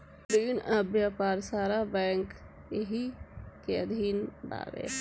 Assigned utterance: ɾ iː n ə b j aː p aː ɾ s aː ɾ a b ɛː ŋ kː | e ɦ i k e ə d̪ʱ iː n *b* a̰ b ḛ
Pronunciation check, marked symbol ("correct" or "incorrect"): correct